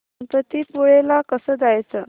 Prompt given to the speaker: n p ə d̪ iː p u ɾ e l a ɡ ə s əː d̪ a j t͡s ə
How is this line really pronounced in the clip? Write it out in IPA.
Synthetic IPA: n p ə t̪ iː p u ɭ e l a k ə s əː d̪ a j t͡s ə